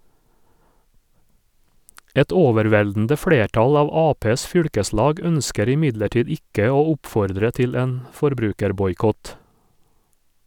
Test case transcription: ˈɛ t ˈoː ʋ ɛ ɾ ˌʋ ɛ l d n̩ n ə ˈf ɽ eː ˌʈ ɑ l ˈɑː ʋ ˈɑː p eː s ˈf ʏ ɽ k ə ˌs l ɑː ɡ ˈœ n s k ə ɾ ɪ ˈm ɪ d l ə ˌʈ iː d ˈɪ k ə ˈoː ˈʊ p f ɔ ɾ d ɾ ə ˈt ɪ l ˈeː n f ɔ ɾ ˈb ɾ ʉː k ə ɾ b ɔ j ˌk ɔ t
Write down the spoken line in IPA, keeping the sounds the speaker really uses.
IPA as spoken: ˈɛ t ˈoː ʋ ɛ ɾ ˌʋ ɛ l d n̩ d ə ˈf ɽ eː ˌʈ ɑ l ˈɑː ʋ ˈɑː p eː s ˈf ʏ ɽ k ə ˌs l ɑː ɡ ˈœ n s k ə ɾ ɪ ˈm ɪ d l ə ˌʈ iː d ˈɪ k ə ˈoː ˈʊ p f ɔ ɾ d ɾ ə ˈt ɪ l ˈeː n f ɔ ɾ ˈb ɾ ʉː k ə ɾ b ɔ j ˌk ɔ t

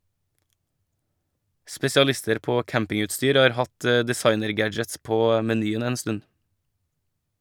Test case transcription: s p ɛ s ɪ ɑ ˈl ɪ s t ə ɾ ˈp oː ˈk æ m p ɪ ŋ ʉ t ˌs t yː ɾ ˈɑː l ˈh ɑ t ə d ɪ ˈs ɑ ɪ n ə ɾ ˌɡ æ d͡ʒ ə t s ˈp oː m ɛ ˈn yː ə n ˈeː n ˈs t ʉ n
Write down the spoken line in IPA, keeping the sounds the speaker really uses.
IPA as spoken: s p ɛ s ɪ ɑ ˈl ɪ s t ə ɾ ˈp oː ˈk æ m p ɪ ŋ ʉ t ˌs t yː ɾ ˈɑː ɾ ˈh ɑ t ə d ɪ ˈs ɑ ɪ n ə ɾ ˌɡ æ d͡ʒ ə t s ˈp oː m ɛ ˈn yː ə n ˈeː n ˈs t ʉ n

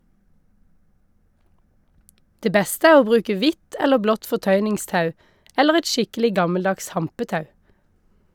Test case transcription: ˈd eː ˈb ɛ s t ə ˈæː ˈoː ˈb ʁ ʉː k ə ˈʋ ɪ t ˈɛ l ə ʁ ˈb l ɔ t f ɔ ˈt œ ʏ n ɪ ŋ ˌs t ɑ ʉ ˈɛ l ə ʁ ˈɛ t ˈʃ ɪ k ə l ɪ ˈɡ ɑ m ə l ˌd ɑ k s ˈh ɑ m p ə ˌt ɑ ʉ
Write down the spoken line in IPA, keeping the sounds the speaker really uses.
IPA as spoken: ˈd eː ˈb ɛ s t ə ˈæː ˈoː ˈb ʁ ʉː k ə ˈʋ ɪ t ˈɛ l ə ʁ ˈb l ɔ t f ɔ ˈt œ ʏ n ɪ ŋ ˌs t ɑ ʉ ˈɛ l ə ʁ ˈɛ t ˈʃ ɪ k ə l ɪ ˈɡ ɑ m ə l ˌd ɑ k s ˈh ɑ m p ə ˌt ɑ ʉ

